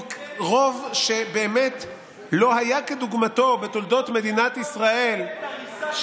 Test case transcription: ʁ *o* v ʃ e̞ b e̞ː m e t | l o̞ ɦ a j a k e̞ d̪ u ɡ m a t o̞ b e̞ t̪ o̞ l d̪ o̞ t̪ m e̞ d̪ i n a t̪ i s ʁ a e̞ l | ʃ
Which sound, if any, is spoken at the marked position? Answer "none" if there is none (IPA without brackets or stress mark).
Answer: o